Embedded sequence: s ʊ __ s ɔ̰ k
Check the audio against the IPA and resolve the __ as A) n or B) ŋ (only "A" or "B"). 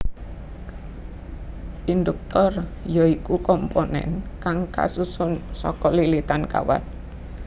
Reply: A